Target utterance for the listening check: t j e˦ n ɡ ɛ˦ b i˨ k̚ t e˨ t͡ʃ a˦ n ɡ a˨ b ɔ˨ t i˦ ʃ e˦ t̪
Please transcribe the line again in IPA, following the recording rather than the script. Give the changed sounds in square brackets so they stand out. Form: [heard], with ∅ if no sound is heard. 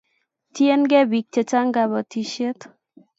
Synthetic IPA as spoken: t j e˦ n ɡ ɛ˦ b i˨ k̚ [t͡ʃ] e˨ t͡ʃ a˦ [ŋ] ɡ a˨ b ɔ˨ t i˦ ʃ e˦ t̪